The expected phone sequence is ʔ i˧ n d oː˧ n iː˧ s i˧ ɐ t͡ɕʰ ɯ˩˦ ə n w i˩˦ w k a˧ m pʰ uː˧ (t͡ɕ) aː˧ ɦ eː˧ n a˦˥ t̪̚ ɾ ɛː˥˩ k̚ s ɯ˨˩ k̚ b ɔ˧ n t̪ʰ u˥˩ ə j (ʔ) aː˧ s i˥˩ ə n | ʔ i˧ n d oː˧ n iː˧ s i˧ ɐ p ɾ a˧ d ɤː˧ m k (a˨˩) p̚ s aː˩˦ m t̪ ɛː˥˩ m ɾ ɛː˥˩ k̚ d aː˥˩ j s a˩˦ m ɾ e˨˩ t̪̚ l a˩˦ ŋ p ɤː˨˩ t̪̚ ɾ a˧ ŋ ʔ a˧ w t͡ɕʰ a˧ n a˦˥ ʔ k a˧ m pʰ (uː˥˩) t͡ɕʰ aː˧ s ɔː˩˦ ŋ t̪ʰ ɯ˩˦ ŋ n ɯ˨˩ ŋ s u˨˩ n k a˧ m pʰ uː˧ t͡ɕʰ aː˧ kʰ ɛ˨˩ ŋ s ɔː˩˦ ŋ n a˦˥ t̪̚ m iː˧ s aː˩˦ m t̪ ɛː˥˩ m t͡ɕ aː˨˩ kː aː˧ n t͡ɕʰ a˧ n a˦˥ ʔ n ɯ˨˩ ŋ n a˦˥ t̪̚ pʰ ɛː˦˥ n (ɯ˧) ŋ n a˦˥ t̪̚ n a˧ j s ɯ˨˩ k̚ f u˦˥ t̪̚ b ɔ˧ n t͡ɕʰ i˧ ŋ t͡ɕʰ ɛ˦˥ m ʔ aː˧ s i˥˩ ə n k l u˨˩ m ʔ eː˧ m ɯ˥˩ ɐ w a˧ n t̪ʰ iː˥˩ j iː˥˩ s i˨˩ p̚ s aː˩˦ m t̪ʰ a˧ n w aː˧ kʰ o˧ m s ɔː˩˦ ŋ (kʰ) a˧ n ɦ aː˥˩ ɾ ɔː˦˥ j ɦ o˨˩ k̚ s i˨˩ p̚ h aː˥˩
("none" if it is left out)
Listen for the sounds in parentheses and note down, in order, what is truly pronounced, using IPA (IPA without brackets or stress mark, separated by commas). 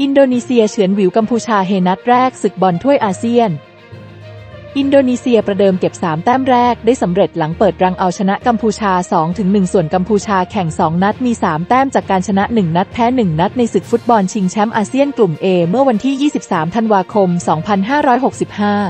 t͡ɕʰ, ʔ, e˨˩, uː˧, ɯ˨˩, pʰ